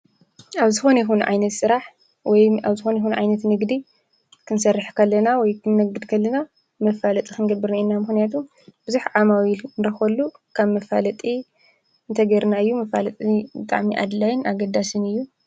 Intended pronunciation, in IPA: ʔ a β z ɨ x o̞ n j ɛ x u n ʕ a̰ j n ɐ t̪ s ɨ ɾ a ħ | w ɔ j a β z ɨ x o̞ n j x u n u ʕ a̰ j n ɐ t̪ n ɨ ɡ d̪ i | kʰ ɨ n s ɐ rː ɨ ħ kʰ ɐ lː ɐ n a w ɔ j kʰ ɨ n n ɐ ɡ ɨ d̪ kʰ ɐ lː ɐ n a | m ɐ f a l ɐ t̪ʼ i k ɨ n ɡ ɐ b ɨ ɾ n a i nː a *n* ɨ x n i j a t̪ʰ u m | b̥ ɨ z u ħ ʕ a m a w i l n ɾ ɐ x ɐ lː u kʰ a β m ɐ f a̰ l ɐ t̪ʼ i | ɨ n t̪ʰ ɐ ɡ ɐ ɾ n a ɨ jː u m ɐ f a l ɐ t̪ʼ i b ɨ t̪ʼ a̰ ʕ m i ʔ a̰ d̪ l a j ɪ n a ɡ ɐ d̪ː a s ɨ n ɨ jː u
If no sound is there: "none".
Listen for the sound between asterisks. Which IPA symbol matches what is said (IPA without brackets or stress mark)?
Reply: m